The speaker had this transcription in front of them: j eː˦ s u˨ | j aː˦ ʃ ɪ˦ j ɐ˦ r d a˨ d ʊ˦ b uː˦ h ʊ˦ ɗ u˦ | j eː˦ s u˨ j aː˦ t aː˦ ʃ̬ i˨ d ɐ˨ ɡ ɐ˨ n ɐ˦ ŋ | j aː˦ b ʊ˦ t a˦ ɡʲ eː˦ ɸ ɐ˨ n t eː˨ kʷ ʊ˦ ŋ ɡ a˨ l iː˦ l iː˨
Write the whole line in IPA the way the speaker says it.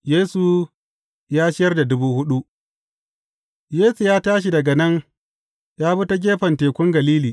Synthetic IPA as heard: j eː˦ s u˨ | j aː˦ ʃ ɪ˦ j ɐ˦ r d a˨ d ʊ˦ b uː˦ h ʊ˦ ɗ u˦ | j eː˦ s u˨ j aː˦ t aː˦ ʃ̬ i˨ d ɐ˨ ɡ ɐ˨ n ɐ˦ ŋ | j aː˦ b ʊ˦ t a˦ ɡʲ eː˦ ɸ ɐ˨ n t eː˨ kʷ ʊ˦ ŋ ɡ ɐ˨ l iː˦ l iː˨